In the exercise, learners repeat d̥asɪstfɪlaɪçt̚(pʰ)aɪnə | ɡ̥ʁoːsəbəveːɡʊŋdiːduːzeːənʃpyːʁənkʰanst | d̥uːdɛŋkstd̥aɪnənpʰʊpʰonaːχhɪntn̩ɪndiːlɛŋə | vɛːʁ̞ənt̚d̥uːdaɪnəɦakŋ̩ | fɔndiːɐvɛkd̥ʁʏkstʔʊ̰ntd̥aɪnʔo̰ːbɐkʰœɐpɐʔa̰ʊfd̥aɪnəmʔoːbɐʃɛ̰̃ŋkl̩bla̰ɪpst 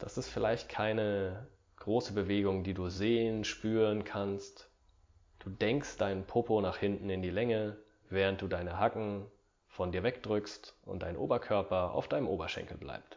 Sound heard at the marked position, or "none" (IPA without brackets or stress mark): kʰ